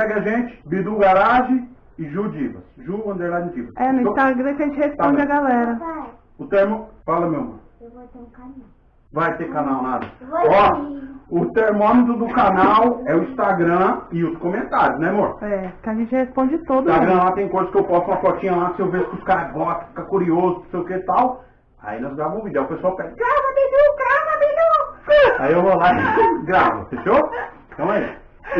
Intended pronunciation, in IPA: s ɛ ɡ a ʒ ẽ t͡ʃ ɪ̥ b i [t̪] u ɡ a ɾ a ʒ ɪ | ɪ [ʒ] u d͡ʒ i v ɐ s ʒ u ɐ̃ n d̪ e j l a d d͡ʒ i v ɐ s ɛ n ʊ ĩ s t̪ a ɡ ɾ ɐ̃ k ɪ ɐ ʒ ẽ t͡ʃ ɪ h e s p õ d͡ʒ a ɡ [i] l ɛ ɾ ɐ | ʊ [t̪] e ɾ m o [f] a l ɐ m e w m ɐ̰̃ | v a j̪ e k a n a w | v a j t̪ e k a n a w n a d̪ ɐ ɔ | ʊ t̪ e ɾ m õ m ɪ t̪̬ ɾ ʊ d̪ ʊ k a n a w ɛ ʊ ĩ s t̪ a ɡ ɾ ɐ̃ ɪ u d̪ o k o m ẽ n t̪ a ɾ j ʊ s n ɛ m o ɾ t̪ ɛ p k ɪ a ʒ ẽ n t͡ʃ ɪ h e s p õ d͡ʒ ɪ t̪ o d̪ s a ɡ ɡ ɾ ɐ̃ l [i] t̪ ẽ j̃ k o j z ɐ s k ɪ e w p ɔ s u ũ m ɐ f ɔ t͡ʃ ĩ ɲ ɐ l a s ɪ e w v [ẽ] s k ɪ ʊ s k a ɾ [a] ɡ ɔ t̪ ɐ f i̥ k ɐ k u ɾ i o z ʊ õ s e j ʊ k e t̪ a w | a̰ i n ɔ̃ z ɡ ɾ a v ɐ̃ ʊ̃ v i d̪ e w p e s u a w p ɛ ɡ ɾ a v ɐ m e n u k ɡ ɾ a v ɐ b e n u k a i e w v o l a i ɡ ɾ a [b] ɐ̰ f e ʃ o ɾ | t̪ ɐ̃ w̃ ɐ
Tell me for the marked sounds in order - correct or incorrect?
incorrect, correct, incorrect, correct, correct, incorrect, incorrect, incorrect, incorrect

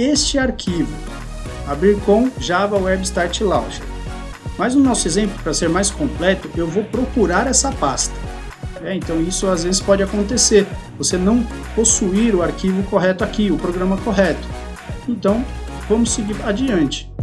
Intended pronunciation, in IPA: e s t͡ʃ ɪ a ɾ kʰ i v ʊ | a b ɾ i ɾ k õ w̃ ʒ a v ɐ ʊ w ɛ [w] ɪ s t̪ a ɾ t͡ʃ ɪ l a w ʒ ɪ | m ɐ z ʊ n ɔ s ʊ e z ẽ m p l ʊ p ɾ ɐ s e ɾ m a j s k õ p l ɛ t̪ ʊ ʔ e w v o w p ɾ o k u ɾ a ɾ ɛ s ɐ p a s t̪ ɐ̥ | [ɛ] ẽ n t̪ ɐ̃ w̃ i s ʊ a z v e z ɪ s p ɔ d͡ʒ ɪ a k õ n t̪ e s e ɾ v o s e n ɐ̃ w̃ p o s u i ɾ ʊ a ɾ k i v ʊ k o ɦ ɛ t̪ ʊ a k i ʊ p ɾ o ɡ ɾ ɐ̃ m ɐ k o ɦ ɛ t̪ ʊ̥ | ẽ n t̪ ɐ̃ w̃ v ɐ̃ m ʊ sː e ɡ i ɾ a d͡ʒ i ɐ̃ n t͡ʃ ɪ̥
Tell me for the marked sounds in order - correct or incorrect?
incorrect, correct

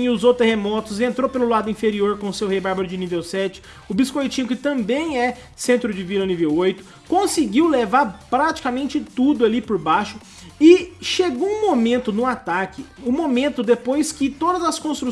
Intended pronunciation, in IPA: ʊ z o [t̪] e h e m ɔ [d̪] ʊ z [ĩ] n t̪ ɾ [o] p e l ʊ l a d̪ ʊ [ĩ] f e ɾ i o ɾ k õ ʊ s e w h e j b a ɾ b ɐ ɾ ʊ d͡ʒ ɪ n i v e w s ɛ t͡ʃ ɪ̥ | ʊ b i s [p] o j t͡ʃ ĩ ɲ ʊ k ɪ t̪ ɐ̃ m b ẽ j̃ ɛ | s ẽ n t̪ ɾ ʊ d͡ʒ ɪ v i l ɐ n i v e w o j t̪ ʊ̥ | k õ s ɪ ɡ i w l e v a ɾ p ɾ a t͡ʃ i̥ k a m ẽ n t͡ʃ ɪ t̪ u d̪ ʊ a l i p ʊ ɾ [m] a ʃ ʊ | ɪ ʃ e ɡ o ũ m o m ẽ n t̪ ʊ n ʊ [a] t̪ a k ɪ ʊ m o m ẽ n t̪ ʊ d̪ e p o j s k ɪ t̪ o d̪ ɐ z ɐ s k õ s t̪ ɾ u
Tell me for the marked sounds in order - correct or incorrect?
correct, incorrect, incorrect, correct, correct, incorrect, incorrect, correct

